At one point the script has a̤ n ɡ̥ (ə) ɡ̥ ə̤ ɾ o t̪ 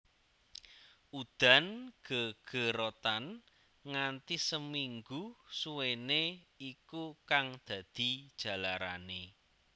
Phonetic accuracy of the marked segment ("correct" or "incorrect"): correct